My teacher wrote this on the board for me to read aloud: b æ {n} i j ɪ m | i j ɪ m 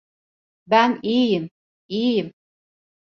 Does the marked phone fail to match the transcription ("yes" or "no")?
no